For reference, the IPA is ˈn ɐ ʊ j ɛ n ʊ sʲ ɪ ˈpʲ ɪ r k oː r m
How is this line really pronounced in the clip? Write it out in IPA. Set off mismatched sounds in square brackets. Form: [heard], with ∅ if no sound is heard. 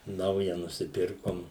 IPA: ˈn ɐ ʊ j ɛ n ʊ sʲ ɪ ˈpʲ ɪ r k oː [∅] m